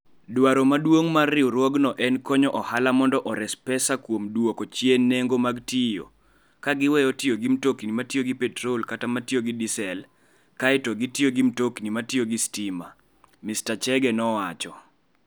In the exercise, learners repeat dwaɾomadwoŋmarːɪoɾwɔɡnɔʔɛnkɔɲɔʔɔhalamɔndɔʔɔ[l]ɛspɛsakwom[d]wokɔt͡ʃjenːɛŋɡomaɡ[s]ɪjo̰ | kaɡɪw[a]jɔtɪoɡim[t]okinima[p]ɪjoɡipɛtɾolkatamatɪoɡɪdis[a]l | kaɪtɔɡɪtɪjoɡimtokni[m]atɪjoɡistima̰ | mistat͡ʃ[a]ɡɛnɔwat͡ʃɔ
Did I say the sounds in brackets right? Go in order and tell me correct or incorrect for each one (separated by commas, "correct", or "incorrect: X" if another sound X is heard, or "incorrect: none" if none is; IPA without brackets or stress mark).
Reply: incorrect: ɾ, correct, incorrect: t, incorrect: ɛ, correct, incorrect: t, incorrect: ɛ, correct, incorrect: ɛ